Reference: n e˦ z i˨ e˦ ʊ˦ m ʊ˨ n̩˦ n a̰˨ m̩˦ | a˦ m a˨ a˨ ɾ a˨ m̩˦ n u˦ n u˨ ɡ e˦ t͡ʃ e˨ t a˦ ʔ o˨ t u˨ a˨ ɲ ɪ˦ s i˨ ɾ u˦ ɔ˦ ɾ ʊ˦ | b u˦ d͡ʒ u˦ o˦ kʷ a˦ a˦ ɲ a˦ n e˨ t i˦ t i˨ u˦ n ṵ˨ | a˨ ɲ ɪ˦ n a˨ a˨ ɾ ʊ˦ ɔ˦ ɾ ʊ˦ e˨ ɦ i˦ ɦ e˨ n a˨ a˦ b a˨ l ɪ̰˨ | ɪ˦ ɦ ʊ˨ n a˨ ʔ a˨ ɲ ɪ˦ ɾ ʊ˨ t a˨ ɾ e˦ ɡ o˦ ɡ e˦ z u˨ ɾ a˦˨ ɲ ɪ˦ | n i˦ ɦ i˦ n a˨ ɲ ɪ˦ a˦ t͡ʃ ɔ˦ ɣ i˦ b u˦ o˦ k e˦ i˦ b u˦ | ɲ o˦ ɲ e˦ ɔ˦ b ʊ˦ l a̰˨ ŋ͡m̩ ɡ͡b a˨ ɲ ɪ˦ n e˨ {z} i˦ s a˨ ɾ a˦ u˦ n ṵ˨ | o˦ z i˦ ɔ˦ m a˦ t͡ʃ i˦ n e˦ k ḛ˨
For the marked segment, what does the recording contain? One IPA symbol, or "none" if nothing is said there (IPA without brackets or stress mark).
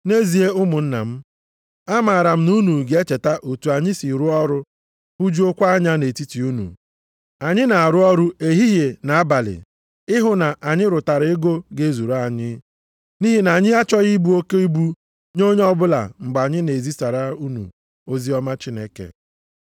z